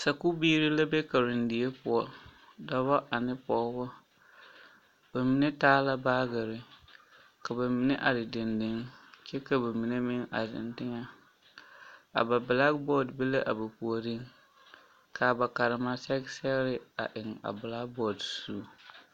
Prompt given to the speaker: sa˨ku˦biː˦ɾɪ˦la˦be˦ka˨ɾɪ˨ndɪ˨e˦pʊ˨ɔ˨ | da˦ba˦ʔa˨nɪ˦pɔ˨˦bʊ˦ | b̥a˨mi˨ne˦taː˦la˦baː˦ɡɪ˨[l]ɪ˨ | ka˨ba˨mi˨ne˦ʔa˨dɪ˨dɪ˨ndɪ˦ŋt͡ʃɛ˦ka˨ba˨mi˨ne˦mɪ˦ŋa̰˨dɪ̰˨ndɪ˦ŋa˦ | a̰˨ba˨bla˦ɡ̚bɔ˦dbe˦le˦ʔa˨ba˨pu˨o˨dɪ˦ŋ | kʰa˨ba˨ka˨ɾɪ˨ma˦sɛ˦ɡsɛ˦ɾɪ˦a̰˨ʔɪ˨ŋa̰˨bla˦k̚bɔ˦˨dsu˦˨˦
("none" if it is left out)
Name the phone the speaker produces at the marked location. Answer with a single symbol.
ɾ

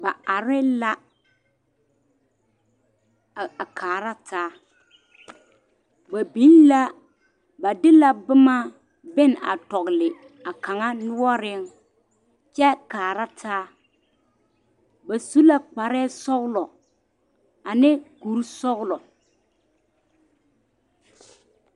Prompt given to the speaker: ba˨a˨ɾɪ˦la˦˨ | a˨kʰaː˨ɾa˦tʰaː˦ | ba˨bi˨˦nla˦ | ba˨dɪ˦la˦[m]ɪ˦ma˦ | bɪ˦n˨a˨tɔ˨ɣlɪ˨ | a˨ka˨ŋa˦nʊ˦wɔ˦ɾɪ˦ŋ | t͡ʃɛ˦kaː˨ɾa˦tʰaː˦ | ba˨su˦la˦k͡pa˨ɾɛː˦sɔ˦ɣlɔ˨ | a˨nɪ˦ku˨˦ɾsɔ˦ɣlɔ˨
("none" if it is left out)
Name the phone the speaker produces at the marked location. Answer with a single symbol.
b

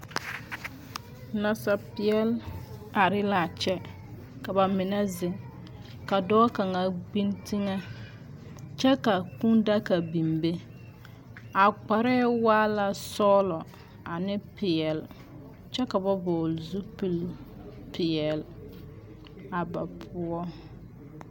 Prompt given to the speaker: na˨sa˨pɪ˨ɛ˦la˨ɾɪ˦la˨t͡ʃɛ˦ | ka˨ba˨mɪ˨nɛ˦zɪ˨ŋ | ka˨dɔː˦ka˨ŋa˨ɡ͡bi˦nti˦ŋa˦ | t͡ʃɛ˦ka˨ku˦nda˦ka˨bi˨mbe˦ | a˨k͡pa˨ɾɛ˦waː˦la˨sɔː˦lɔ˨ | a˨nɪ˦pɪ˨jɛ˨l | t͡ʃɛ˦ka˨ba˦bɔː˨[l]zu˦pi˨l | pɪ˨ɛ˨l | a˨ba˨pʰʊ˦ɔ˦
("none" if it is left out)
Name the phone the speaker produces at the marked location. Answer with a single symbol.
l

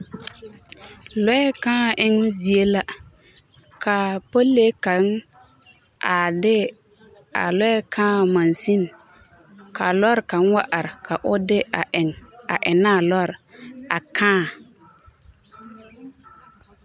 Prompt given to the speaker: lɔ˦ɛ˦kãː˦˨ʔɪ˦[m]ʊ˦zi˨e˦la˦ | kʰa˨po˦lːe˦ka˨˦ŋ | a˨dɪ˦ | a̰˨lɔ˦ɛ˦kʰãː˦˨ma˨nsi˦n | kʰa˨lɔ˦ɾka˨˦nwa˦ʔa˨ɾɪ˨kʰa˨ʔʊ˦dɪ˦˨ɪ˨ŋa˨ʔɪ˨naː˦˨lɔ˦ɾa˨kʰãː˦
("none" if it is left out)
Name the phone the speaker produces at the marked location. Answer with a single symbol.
ŋ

